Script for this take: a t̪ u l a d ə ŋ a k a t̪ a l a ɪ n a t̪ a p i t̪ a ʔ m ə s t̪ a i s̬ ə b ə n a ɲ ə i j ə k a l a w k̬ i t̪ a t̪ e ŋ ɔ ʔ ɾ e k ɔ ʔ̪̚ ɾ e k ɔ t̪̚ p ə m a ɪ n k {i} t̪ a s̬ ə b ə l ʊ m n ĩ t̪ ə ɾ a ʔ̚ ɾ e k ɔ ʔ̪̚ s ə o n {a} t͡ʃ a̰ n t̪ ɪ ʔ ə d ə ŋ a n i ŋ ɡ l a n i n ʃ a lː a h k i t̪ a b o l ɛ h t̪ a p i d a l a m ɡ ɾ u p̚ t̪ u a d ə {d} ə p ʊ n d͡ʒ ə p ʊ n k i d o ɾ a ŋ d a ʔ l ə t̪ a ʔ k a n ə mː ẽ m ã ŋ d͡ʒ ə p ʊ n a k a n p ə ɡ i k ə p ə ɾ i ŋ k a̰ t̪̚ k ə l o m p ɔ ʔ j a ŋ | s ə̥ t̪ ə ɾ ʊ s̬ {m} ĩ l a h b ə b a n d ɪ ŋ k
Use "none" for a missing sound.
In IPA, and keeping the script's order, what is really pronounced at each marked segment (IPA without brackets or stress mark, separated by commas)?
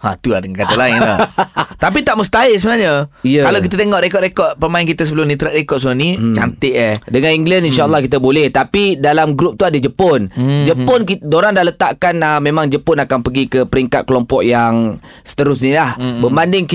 i, i, d͡ʒ, n